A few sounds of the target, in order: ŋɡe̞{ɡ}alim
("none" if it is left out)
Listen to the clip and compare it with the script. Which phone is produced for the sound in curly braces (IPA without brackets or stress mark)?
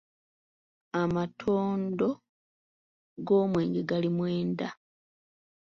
ɡ